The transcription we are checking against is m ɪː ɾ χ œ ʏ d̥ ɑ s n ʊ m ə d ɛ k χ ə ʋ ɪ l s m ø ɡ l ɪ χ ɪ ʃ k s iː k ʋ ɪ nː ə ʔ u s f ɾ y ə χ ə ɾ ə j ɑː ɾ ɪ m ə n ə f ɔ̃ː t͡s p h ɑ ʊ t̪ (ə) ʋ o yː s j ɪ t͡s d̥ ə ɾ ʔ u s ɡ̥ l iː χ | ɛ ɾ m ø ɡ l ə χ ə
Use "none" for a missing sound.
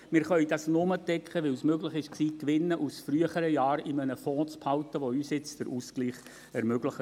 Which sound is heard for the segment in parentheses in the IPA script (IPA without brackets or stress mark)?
ə